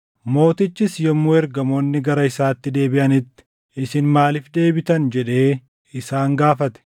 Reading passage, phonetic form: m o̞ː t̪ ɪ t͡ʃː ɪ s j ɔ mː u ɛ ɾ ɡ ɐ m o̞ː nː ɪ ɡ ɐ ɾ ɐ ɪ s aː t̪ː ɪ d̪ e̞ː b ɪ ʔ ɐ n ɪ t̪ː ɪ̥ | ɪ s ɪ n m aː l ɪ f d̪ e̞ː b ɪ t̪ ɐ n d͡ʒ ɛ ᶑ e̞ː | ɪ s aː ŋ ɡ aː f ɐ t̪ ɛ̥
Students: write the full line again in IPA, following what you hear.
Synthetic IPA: m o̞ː t̪ ɪ t͡ʃː ɪ s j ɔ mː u ɛ ɾ ɡ ɐ m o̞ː nː ɪ ɡ ɐ ɾ ɐ ɪ s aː t̪ː ɪ d̪ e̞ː b ɪ ʔ ɐ n ɪ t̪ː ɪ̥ | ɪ s ɪ n m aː l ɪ f d̪ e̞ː b ɪ t̪ ɐ n d͡ʒ ɛ ᶑ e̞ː | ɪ s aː ŋ ɡ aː f ɐ t̪ ɛ̥

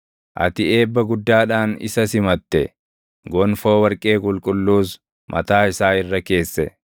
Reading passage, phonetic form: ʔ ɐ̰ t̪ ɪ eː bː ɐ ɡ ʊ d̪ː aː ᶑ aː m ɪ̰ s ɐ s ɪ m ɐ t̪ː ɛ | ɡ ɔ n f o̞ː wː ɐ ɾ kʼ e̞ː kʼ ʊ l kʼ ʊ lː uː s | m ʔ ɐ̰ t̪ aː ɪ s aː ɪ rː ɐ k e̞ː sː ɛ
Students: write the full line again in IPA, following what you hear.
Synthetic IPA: ʔ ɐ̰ t̪ ɪ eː bː ɐ ɡ ʊ d̪ː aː ᶑ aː n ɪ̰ s ɐ s ɪ m ɐ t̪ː ɛ | ɡ ɔ n f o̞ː w ɐ ɾ kʼ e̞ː kʼ ʊ l kʼ ʊ lː uː s | m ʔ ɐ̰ t̪ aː ɪ s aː ɪ rː ɐ k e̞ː sː ɛ

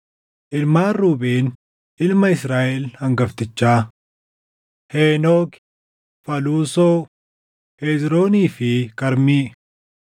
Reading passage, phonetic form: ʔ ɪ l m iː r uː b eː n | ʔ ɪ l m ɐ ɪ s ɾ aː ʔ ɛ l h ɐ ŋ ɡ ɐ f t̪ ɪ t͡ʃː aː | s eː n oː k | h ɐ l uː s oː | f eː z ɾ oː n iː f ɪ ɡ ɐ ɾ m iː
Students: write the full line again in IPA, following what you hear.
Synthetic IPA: ʔ ɪ l m aː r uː b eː n | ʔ ɪ l m ɐ ɪ s ɾ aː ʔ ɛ l h ɐ ŋ ɡ ɐ f t̪ ɪ t͡ʃː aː | h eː n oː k | f ɐ l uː s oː | h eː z ɾ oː n iː f ɪ k ɐ ɾ m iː

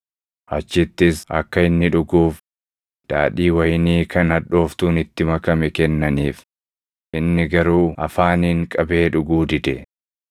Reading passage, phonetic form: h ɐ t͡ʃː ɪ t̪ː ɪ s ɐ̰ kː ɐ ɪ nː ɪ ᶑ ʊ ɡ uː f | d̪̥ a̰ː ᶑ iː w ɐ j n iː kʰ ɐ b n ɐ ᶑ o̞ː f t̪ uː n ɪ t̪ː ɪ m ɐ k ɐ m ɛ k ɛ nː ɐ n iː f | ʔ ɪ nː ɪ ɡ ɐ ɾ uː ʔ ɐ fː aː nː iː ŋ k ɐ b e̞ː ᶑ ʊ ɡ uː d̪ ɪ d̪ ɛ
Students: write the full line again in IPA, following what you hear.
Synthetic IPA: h ɐ t͡ʃː ɪ t̪ː ɪ s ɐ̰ kː ɐ ɪ nː ɪ ᶑ ʊ ɡ uː f | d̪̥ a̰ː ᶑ iː w ɐ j n iː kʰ ɐ n ɐ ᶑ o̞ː f t̪ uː n ɪ t̪ː ɪ m ɐ k ɐ m ɛ k ɛ nː ɐ n iː f | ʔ ɪ nː ɪ ɡ ɐ ɾ uː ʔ ɐ f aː n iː ŋ kʼ ɐ b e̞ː ᶑ ʊ ɡ uː d̪ ɪ d̪ ɛ

